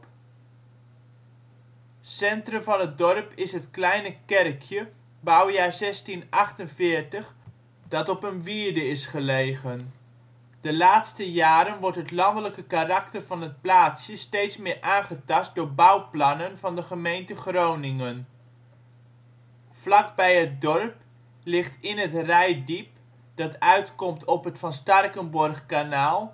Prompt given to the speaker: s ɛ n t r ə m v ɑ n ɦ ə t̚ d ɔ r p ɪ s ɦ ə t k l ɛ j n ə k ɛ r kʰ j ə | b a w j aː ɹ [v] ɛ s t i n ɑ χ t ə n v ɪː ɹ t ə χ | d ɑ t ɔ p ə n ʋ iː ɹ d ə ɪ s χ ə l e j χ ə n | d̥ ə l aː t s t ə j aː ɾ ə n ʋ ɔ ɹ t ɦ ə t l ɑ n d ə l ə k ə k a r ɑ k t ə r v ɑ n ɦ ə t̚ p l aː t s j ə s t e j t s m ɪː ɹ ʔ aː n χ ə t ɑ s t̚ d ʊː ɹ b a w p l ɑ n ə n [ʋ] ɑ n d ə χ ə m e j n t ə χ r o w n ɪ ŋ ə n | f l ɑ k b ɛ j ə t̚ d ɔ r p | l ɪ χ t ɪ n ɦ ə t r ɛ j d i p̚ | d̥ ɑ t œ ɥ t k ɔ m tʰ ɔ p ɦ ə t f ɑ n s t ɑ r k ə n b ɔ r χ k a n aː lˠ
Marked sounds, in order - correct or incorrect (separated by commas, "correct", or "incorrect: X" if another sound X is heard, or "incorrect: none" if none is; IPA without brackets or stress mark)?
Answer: incorrect: z, incorrect: v